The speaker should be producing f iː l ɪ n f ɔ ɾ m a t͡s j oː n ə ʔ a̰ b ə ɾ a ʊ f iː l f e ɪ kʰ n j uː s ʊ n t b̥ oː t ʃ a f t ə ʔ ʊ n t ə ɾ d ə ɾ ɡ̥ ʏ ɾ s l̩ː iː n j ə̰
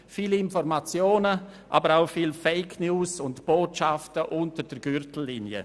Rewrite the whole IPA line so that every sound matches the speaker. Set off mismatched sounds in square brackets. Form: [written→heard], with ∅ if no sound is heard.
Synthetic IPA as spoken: f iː l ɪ n f ɔ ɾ m a t͡s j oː n ə ʔ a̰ b ə ɾ a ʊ f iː l f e ɪ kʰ n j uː s ʊ n t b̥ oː t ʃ a f t ə ʔ ʊ n t ə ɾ d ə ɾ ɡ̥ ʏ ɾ [s→t] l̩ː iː n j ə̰